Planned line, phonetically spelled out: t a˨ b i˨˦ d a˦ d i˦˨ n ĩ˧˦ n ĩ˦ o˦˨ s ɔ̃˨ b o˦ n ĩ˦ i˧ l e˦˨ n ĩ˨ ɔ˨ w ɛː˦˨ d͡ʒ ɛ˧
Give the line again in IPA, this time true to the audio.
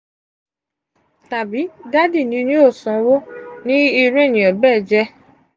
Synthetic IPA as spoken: t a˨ b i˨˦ d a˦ d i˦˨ n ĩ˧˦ n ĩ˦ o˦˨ s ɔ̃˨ w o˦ n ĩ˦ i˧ ɾ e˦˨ n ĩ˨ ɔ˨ b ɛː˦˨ d͡ʒ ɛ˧

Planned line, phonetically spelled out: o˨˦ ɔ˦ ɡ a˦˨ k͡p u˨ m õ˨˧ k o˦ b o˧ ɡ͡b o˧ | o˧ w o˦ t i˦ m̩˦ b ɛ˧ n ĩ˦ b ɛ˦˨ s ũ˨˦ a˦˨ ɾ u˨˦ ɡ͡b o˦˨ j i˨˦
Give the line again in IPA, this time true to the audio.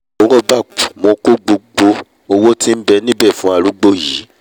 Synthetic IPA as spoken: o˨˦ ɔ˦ b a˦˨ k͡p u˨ m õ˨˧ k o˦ ɡ͡b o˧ ɡ͡b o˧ | o˧ w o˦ t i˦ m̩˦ b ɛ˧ n ĩ˦ b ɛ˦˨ f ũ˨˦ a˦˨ ɾ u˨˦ ɡ͡b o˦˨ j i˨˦

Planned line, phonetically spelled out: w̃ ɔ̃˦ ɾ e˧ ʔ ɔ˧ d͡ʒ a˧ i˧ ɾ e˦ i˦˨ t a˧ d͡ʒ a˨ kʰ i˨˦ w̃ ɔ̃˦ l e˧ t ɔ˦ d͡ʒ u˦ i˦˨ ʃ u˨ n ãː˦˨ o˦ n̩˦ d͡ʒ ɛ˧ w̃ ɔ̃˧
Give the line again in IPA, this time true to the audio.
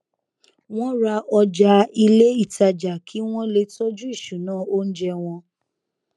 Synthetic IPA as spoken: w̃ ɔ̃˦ ɾ a˧ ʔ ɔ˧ d͡ʒ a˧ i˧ l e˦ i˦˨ t a˧ d͡ʒ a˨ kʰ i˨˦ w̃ ɔ̃˦ l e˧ t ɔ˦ d͡ʒ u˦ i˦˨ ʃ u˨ n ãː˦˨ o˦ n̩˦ d͡ʒ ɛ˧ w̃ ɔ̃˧

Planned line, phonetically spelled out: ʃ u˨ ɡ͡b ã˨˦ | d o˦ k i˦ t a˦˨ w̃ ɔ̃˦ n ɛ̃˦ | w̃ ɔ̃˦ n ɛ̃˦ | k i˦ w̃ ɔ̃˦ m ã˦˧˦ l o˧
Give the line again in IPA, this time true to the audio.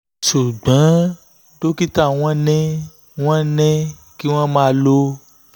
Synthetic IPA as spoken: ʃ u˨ ɡ͡b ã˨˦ | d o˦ k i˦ t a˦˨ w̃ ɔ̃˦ n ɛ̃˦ | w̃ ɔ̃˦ n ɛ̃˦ | k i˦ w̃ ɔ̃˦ m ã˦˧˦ l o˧

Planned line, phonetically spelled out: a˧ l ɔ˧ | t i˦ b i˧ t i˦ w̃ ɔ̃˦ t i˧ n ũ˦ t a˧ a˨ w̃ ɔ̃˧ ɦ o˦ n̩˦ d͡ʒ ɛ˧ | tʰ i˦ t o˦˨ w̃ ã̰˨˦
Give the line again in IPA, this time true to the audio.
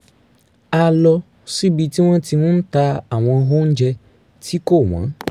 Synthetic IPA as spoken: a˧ l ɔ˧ | s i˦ b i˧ t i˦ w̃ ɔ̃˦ t i˧ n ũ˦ t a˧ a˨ w̃ ɔ̃˧ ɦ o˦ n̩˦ d͡ʒ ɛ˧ | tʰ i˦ k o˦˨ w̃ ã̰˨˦

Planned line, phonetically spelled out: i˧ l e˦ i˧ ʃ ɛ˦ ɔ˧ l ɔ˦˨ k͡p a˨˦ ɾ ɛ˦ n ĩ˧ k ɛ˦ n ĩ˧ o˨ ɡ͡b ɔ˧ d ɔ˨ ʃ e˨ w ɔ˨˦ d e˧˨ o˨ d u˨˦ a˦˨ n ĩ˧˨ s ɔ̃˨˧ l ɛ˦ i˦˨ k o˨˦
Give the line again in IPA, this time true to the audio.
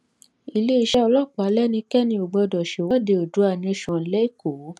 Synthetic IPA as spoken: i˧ l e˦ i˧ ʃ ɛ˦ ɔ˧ l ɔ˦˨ k͡p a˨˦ l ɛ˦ n ĩ˧ k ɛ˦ n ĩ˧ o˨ ɡ͡b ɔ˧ d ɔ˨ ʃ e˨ w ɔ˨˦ d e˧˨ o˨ d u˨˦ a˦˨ n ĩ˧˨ ʃ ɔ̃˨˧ l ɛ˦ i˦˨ k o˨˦

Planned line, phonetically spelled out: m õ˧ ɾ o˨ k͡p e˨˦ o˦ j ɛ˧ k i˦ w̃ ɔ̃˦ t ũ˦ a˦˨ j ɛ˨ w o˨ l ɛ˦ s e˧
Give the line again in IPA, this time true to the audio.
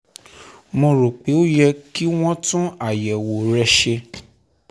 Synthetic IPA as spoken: m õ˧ ɾ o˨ k͡p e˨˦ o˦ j ɛ˧ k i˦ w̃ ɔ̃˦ t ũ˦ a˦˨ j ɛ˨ w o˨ ɾ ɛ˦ ʃ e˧

